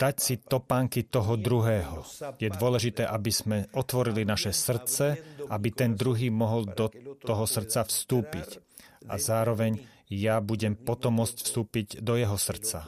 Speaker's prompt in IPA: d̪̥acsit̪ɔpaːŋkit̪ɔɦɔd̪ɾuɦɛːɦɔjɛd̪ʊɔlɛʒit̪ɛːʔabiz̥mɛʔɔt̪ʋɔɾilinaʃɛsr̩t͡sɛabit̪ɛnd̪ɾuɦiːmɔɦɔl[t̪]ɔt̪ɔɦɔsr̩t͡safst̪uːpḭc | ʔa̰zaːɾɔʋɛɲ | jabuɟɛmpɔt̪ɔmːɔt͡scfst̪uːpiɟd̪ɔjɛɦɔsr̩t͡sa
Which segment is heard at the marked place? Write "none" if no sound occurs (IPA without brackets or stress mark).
d̪